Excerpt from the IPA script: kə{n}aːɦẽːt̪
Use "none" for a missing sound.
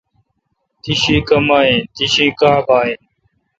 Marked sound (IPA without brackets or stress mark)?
m